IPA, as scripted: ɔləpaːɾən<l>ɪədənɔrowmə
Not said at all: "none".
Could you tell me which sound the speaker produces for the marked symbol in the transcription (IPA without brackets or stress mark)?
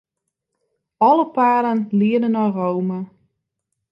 l